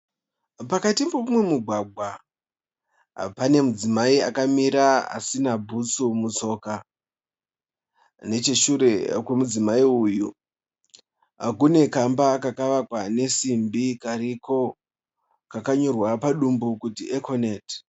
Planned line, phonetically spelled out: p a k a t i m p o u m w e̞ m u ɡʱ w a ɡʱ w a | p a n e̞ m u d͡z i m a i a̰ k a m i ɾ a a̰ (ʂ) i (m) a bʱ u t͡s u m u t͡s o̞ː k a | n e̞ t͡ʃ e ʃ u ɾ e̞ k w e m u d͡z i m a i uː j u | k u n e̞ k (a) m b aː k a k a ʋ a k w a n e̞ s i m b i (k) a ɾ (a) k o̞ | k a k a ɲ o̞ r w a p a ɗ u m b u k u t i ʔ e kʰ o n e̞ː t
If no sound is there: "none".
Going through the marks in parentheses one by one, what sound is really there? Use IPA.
s, n, a, k, i

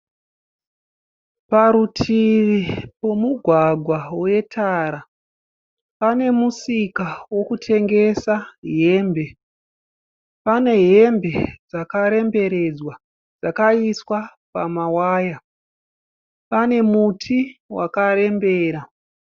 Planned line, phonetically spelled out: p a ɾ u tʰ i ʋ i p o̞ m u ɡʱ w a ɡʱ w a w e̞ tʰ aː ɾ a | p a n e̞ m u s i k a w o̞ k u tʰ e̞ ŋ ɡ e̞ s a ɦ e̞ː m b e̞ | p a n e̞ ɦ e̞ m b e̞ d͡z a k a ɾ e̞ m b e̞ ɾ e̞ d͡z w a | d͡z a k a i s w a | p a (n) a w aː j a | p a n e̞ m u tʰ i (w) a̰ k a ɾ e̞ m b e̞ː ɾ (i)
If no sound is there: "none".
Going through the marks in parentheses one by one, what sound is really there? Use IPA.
m, w, a

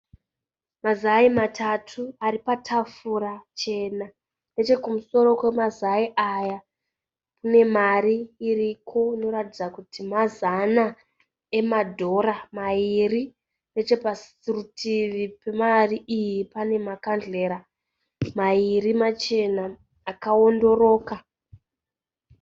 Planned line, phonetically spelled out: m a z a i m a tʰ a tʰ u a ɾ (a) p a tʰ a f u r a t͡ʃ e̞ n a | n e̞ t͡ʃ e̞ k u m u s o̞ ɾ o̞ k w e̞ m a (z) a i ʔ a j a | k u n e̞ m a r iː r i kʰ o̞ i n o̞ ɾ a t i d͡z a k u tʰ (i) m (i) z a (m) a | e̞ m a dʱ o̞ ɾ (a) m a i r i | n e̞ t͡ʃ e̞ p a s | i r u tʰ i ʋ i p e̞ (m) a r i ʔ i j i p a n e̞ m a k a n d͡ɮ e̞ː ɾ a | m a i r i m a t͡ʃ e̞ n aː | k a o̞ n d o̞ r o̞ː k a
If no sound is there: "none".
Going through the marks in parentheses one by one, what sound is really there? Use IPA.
i, z, i, a, n, a, m

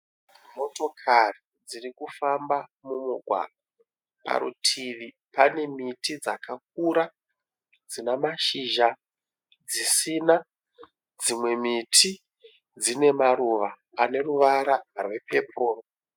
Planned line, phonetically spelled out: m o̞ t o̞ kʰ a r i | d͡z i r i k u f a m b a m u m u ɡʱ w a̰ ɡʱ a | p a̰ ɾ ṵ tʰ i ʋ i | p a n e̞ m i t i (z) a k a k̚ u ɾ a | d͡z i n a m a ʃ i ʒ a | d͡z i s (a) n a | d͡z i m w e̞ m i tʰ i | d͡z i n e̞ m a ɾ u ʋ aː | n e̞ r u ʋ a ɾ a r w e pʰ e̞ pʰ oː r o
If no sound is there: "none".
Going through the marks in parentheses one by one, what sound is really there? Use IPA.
d͡z, i

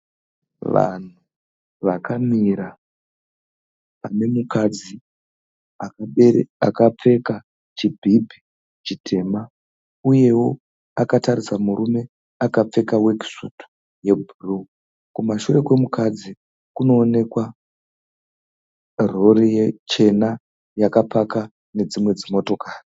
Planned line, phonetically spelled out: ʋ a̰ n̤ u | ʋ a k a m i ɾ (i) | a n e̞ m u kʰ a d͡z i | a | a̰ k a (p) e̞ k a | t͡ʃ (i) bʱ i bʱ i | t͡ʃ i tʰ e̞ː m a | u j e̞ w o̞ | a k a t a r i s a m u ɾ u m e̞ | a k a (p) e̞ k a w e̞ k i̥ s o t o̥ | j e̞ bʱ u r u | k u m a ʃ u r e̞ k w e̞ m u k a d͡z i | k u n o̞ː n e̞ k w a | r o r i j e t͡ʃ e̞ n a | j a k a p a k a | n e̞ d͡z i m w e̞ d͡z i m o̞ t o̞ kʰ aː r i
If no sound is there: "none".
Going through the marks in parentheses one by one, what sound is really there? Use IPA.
a, p͡f, i, p͡f

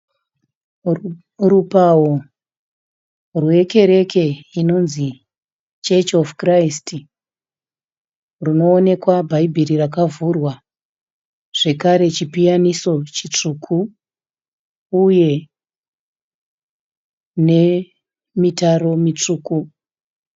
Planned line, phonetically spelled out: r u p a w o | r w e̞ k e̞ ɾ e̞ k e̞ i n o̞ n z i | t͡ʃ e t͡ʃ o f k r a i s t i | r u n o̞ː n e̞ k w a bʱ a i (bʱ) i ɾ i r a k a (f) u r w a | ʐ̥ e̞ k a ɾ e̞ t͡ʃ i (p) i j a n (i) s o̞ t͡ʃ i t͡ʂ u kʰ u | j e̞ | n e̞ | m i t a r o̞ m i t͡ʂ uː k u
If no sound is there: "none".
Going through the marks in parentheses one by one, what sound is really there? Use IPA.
bʱ, v, p, i

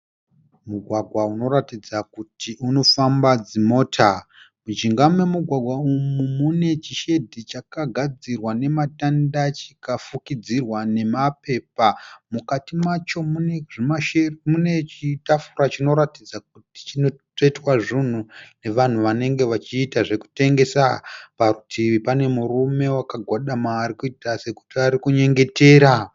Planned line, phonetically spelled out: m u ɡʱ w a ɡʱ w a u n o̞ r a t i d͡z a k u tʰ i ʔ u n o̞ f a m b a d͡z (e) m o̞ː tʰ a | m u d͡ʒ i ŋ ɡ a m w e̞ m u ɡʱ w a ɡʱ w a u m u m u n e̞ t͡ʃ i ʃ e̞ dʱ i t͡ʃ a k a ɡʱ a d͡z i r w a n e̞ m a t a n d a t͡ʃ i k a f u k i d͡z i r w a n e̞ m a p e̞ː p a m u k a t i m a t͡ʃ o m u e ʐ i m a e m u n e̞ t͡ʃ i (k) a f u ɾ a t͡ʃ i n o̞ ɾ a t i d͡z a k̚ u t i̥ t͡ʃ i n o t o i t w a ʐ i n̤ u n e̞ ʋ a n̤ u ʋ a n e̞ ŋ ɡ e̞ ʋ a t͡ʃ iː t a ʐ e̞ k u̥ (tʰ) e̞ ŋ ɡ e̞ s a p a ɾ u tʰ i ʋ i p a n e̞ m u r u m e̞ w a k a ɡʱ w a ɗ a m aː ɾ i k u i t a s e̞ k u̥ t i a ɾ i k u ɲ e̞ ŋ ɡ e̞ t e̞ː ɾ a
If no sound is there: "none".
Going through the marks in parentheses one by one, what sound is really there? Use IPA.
i, t, t

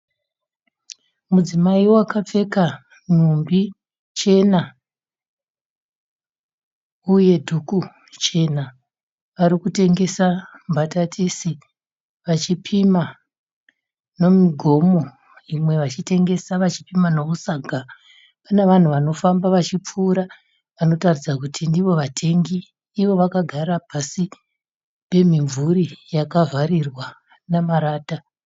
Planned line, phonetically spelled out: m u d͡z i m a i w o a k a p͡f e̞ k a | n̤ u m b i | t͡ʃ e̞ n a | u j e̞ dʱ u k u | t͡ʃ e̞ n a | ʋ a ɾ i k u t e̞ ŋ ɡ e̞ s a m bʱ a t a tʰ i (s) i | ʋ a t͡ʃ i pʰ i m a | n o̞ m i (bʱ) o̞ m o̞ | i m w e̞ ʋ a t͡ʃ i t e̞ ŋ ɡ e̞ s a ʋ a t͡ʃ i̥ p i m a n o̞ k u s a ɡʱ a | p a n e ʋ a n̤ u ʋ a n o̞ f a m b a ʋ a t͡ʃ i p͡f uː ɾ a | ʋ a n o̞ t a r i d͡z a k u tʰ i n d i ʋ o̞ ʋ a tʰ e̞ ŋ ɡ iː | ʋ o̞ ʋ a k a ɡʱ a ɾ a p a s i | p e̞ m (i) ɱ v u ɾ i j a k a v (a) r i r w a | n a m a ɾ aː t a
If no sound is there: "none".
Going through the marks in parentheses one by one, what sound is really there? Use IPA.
s, ɡʱ, i, a

